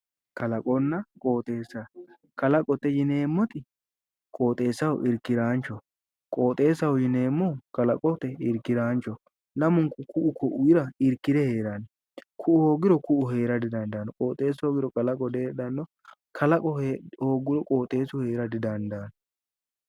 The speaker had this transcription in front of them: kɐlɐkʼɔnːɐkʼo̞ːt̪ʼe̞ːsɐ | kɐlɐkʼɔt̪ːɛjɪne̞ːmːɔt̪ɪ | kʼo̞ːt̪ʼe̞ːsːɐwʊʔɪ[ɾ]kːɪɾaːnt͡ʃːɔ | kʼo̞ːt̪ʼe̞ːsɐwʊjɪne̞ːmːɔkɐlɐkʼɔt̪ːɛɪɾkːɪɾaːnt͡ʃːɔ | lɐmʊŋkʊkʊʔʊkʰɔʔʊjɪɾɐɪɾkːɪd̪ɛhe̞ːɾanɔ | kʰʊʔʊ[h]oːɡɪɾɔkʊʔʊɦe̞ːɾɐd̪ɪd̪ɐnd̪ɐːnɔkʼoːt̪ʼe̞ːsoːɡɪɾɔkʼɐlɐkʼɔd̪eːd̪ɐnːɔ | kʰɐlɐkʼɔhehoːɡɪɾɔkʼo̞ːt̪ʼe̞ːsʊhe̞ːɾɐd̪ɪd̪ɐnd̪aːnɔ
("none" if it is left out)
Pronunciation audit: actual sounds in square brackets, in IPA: ɾ, h

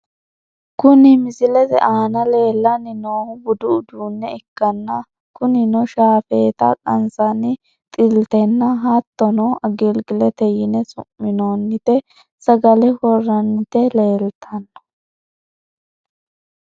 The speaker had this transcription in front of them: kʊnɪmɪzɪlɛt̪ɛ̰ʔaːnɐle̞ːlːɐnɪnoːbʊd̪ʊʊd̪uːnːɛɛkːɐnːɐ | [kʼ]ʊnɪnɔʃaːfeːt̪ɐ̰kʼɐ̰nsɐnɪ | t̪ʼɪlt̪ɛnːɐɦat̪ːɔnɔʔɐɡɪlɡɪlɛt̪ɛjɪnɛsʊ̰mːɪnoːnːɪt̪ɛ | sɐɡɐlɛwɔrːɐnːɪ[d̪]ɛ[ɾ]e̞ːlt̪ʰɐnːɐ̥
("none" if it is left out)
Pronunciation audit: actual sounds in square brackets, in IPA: k, t̪, l

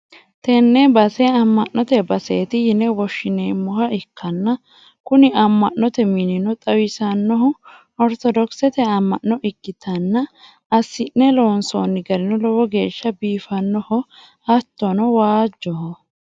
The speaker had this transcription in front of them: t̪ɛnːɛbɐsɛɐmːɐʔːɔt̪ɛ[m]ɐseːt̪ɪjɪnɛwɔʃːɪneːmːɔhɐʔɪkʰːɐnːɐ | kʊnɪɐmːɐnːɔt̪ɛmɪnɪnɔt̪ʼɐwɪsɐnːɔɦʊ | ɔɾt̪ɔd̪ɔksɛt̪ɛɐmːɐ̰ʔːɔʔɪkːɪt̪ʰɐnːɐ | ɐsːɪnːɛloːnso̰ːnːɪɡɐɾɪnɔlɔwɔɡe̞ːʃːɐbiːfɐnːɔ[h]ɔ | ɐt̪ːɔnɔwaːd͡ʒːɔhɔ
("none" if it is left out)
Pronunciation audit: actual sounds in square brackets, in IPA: b, h

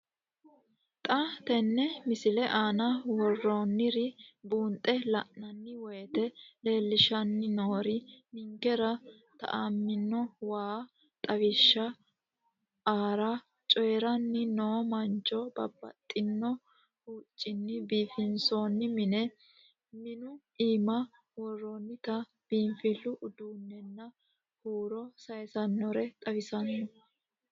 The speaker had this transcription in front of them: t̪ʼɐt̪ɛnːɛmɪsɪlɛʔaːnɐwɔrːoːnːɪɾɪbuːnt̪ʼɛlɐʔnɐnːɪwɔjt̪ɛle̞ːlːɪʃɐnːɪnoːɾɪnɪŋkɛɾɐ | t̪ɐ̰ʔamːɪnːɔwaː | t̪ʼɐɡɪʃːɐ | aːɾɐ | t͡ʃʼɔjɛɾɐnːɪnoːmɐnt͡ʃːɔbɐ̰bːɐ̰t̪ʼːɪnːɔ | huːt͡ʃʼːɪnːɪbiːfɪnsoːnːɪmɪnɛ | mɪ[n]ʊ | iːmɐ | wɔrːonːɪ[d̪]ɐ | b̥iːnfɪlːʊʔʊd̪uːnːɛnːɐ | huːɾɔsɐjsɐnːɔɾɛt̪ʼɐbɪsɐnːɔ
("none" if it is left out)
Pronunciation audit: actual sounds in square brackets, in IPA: n, t̪

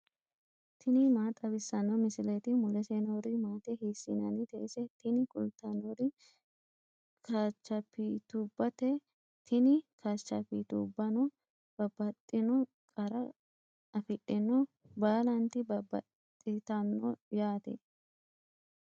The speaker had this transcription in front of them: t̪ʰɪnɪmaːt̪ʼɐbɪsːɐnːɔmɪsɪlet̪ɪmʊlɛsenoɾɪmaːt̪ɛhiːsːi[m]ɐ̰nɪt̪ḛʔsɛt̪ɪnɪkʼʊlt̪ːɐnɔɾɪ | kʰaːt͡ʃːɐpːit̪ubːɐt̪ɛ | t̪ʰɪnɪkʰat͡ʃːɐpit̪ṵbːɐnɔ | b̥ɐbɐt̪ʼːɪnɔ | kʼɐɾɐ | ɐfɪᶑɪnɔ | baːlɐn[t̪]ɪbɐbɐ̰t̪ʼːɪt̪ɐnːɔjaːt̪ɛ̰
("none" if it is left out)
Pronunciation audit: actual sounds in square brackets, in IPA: n, t̪

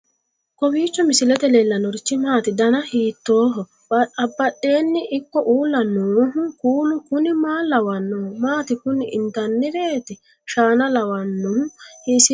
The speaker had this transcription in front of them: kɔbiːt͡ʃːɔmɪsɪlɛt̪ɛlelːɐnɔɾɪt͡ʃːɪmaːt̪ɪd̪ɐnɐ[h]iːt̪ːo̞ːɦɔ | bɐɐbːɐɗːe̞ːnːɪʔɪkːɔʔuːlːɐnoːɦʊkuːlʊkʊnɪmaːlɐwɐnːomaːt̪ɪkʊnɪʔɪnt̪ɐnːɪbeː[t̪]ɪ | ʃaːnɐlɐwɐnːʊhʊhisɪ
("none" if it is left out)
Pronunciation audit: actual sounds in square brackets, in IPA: h, t̪

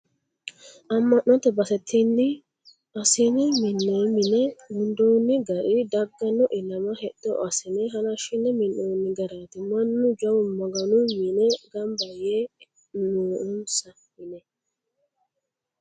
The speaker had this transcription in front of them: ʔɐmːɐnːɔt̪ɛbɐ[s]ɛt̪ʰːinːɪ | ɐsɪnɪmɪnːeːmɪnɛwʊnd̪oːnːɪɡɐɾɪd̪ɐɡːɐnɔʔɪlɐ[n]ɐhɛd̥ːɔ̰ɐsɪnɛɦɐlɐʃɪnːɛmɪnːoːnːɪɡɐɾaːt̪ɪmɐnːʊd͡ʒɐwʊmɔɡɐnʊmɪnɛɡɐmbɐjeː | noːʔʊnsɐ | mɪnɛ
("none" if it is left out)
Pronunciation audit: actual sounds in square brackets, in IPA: s, m

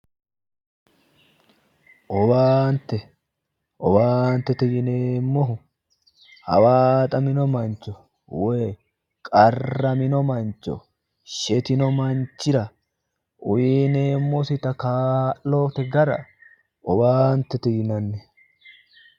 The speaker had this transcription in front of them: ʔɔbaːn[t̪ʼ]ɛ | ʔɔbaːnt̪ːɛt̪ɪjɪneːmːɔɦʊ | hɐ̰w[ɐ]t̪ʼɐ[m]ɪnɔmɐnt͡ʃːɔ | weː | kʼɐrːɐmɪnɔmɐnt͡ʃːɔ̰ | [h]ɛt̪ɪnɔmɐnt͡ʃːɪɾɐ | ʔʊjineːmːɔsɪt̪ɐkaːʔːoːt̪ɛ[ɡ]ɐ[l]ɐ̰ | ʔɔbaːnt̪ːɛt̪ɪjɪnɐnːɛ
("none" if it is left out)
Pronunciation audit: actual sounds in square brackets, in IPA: t̪, a, m, ʃ, ɡ, ɾ

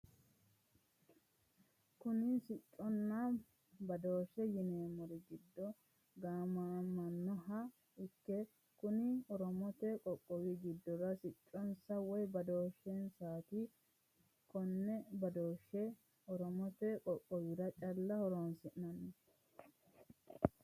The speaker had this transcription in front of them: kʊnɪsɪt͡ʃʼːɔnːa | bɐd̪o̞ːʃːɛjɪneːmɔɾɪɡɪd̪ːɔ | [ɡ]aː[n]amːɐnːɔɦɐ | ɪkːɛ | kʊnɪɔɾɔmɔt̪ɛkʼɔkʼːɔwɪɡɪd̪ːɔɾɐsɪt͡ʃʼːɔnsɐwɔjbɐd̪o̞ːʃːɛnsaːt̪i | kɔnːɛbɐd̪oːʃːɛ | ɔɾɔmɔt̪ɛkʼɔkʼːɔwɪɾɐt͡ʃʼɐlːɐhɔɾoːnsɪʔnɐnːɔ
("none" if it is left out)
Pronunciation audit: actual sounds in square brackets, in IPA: ɡ, m

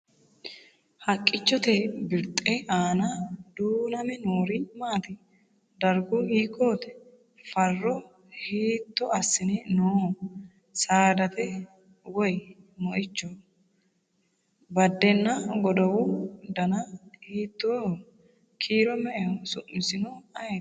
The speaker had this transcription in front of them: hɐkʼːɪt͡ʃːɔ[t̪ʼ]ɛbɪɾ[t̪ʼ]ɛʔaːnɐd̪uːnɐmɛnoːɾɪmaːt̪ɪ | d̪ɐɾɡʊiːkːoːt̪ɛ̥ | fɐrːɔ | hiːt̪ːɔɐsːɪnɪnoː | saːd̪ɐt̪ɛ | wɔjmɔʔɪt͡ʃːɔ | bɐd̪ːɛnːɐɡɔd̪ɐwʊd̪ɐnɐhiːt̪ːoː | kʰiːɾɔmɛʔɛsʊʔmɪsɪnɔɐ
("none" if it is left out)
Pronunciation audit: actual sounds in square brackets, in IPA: t̪, t̪ʼ

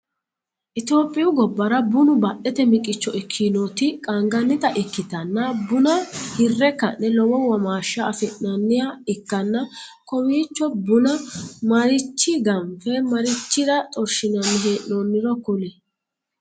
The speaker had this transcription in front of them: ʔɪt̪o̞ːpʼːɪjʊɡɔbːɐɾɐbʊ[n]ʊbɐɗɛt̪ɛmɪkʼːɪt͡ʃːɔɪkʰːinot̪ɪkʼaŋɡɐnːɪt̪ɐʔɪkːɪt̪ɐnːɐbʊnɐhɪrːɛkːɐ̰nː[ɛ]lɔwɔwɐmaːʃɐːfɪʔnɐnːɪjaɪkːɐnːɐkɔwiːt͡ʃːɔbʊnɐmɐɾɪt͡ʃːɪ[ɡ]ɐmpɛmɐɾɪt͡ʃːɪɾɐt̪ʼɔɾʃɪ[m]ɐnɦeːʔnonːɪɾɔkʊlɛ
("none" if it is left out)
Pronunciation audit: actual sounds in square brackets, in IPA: n, ɛ, ɡ, n

